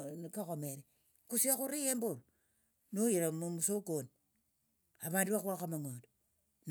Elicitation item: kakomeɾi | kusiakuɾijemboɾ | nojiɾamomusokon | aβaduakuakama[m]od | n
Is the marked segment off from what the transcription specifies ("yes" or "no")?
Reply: yes